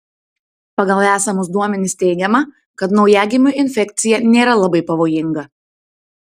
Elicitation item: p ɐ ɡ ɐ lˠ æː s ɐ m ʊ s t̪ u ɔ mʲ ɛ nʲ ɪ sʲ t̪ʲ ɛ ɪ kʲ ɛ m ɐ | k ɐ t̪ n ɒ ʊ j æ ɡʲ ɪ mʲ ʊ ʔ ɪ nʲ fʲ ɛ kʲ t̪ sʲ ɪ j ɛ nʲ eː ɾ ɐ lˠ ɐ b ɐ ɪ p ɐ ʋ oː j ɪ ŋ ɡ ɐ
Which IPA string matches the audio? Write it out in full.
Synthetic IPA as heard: p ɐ ɡ ɐ lˠ æː s ɐ m ʊ s d̪ u ɔ mʲ ɛ nʲ ɪ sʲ t̪ʲ ɛ ɪ ɡʲ ɛ m ɐ | k ɐ t̪ n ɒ ʊ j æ ɡʲ ɪ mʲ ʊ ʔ ɪ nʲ fʲ ɛ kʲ t̪ sʲ ɪ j ɛ nʲ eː ɾ ɐ lˠ ɐ b ɐ ɪ p ɐ ʋ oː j ɪ ŋ ɡ ɐ